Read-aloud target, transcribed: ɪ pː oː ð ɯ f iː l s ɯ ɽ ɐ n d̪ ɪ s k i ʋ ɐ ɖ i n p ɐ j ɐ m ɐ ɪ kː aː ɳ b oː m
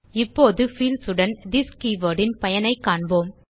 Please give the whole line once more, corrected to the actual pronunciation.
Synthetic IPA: ɪ pː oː ð ɯ f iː l s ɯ ɽ ɐ n d̪ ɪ s k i ʋ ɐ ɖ ɪ n p ɐ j ɐ n ɐ ɪ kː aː ɳ b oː m